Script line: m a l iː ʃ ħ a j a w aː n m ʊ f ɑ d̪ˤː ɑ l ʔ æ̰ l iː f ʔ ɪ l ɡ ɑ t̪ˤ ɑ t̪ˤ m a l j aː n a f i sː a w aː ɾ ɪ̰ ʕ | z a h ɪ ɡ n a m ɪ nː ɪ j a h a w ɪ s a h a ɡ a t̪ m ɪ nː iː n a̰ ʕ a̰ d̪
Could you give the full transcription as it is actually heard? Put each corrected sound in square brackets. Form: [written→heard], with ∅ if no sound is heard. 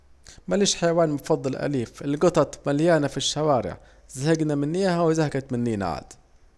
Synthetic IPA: m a l iː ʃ ħ a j a w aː n m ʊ f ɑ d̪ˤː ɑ l ʔ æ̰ l iː f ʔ ɪ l ɡ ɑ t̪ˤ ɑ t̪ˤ m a l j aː n a f i [sː→ʃː] a w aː ɾ ɪ̰ ʕ | z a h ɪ ɡ n a m ɪ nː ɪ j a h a w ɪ [s→z] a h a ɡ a t̪ m ɪ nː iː n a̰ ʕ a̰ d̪